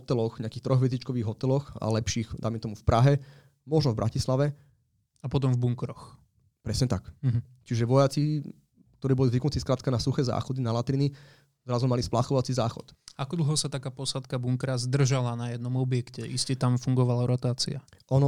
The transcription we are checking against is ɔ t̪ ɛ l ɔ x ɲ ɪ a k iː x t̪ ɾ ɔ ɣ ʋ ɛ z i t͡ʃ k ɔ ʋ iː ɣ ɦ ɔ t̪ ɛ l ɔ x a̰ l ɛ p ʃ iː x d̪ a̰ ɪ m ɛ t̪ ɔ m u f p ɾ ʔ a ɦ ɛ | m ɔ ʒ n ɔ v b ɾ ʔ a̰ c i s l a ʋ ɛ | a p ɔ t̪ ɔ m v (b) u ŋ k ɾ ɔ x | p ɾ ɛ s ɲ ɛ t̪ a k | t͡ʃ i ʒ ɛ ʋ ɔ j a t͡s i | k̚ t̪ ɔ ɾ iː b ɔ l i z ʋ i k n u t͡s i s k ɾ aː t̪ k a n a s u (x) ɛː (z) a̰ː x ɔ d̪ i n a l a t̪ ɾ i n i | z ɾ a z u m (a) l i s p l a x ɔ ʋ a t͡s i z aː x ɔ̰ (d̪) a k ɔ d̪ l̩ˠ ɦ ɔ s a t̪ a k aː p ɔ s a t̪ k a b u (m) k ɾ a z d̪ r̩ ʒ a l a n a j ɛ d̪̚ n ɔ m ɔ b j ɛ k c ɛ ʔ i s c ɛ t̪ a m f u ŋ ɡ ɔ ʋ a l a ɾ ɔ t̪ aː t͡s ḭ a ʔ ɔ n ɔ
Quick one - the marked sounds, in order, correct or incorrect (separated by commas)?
correct, correct, correct, correct, incorrect, incorrect